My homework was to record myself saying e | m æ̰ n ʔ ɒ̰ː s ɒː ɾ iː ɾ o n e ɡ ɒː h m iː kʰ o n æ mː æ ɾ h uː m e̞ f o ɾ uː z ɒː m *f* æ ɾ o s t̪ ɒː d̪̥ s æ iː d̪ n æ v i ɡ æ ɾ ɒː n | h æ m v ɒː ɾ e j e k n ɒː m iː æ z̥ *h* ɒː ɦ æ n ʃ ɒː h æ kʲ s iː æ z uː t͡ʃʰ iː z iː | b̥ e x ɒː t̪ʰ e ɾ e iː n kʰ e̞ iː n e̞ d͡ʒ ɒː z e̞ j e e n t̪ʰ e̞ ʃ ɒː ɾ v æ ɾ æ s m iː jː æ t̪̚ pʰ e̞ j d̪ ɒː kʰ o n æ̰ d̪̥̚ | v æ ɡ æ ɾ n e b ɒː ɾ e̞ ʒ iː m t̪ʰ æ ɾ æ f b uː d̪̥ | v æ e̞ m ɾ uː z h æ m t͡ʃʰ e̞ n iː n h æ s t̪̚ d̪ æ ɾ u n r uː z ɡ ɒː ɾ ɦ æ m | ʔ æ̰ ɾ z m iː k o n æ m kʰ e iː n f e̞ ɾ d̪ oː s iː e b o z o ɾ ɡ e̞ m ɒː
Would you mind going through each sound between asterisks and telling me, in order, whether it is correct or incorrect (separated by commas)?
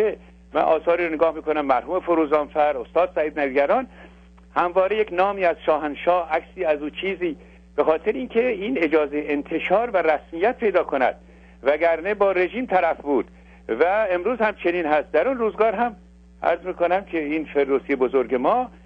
correct, incorrect